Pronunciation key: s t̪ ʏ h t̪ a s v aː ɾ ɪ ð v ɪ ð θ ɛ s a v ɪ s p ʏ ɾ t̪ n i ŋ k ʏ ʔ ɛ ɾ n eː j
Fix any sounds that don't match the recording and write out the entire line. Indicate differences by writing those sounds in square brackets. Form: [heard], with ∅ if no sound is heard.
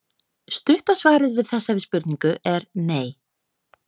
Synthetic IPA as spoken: s t̪ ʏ h t̪ a s v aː ɾ ɪ ð v ɪ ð θ ɛ [sː] a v ɪ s p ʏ ɾ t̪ n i ŋ k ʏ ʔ ɛ ɾ n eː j